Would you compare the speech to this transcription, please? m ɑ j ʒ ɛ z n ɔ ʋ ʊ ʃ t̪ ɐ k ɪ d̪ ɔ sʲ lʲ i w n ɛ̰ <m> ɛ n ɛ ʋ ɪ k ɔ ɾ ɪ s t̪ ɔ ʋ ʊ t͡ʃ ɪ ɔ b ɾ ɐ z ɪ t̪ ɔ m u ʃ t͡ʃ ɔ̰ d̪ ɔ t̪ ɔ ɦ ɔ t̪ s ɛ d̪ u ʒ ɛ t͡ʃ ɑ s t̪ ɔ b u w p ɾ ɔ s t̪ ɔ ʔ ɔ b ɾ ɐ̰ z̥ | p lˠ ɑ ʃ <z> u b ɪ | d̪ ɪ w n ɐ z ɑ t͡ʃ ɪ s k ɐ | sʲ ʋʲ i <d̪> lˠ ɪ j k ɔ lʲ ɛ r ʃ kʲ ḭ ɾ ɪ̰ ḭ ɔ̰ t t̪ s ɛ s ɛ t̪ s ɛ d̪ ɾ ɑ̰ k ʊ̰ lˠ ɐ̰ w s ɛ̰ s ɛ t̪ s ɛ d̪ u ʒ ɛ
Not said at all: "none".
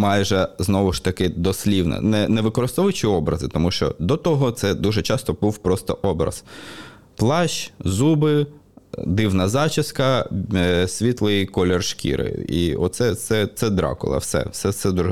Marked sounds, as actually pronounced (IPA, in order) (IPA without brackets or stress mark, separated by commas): n, z, t̪